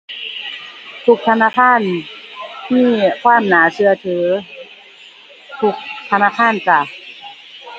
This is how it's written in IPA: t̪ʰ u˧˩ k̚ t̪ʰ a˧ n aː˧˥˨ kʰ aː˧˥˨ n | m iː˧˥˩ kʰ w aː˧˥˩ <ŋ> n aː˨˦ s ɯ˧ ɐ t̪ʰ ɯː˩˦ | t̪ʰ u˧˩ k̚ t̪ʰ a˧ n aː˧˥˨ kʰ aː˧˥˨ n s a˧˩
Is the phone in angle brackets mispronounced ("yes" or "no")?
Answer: yes